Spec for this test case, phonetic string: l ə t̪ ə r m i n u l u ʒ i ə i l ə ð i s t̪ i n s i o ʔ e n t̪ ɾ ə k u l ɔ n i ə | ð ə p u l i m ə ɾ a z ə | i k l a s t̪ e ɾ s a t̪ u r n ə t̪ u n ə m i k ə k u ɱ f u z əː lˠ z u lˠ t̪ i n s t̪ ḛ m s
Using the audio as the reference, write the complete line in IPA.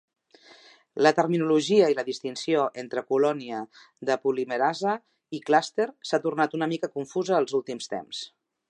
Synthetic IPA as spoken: l ə t̪ ə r m i n u l u ʒ i ə i l ə ð i s t̪ i n s i o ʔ e n t̪ ɾ ə k u l ɔ n i ə | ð ə p u l i m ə ɾ a z ə | i k l a s t̪ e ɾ s a t̪ u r n a t̪ u n ə m i k ə k u ɱ f u z əː lˠ z u lˠ t̪ i m s t̪ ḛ m s